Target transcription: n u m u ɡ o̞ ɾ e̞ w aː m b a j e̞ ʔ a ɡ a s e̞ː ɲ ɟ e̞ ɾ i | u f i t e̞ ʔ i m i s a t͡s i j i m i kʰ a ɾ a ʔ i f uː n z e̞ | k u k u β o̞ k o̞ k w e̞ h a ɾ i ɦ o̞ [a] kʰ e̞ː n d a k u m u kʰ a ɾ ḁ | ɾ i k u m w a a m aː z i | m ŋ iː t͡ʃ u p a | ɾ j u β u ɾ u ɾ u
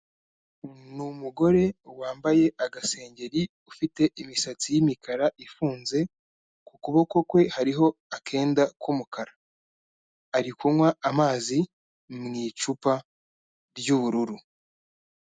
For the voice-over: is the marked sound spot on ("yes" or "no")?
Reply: yes